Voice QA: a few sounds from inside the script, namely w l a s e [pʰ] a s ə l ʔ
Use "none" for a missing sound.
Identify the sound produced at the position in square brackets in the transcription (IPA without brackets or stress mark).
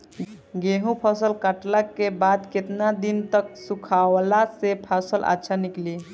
pʰ